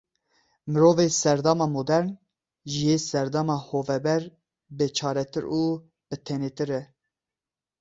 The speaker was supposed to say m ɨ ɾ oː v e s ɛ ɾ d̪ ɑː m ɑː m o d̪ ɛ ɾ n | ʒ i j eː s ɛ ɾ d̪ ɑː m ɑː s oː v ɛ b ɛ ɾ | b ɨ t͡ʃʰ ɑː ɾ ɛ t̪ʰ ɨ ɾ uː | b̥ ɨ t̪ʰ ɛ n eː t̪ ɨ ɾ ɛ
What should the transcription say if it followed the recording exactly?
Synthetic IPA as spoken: m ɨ ɾ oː v e s ɛ ɾ d̪ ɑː m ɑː m o d̪ ɛ ɾ n | ʒ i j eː s ɛ ɾ d̪ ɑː m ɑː h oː v ɛ b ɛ ɾ | b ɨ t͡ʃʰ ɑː ɾ ɛ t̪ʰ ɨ ɾ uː | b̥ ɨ t̪ʰ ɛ n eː t̪ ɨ ɾ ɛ